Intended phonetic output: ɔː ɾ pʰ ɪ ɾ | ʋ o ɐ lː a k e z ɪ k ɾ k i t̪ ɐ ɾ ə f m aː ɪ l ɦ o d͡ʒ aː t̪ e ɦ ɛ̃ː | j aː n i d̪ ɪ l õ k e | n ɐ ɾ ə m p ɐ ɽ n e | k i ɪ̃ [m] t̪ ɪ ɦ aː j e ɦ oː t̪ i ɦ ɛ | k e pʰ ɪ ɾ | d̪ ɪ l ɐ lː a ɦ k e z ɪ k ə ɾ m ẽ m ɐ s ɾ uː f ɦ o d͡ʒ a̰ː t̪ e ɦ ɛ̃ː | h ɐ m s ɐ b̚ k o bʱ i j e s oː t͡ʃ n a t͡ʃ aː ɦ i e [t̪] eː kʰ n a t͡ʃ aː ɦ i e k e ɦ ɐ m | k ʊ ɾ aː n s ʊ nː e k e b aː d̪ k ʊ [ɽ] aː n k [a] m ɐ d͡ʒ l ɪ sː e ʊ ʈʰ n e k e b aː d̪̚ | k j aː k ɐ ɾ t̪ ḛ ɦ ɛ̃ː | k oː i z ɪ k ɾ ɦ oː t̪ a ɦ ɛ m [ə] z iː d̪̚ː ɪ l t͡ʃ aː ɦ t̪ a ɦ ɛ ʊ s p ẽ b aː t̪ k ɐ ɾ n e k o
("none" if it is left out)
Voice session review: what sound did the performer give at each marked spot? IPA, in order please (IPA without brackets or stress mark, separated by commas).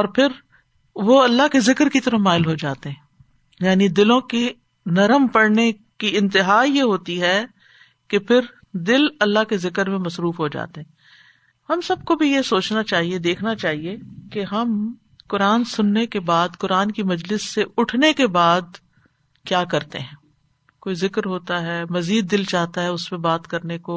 n, d̪, ɾ, i, ɐ